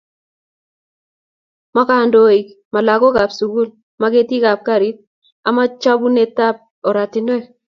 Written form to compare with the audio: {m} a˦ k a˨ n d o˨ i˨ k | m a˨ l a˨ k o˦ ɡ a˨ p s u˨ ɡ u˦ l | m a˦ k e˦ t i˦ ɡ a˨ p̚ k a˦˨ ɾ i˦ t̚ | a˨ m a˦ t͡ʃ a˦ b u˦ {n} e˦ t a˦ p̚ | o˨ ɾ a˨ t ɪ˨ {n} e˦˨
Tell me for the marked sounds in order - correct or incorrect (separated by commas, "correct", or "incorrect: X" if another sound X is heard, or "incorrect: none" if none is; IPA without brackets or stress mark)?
correct, correct, correct